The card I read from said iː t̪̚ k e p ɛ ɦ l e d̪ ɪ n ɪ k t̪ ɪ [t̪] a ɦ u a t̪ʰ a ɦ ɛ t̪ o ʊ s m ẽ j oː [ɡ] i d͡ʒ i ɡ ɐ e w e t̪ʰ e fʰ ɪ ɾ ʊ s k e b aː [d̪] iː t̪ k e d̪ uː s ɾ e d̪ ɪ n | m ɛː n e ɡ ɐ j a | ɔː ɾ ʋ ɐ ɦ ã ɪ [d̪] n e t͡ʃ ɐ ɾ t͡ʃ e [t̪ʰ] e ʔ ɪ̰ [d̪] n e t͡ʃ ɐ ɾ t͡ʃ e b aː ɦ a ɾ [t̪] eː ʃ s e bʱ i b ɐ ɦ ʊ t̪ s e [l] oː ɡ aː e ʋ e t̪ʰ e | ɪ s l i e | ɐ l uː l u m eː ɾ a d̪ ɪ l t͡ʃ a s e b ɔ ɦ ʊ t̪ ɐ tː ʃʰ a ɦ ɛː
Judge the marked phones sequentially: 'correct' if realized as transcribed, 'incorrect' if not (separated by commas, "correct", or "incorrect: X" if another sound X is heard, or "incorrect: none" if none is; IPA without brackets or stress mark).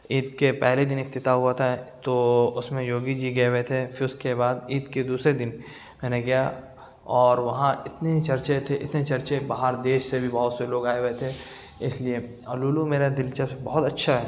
correct, correct, correct, incorrect: t̪, correct, incorrect: t̪, incorrect: d̪, correct